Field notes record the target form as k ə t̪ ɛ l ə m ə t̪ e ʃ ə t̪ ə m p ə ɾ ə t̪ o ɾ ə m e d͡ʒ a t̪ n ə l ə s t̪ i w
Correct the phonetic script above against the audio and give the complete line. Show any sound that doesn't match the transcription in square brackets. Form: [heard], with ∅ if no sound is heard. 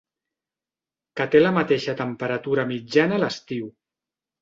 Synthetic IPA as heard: k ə t̪ [e] l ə m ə t̪ e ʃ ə t̪ ə m p ə ɾ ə t̪ [u] ɾ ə m [i] d͡ʒ a [∅] n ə l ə s t̪ i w